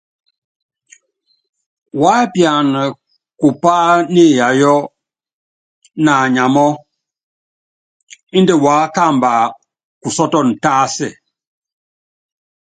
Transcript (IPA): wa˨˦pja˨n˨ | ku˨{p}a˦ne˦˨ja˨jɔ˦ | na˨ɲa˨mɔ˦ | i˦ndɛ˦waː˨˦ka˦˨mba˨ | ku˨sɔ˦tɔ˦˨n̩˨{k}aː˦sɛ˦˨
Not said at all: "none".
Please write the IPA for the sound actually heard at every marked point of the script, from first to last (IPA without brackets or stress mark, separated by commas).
p, t